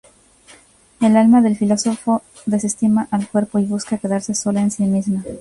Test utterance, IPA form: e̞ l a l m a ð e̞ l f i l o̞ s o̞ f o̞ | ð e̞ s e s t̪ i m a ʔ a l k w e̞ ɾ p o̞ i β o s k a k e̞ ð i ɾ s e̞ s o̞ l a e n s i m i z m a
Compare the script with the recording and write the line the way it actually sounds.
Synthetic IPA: e̞ l a l m a ð e̞ l f i l o̞ s o̞ f o̞ | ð e̞ s e s t̪ i m a ʔ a l k w e̞ ɾ p o̞ i β u s k a k e̞ ð a ɾ s e̞ s o̞ l a e n s i m i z m a